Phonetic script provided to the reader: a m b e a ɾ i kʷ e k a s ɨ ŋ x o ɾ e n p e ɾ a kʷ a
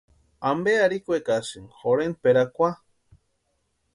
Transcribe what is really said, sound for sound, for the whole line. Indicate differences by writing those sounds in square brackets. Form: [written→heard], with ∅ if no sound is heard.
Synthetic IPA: a m b e a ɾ i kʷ e k a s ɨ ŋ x o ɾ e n p e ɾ a kʷ a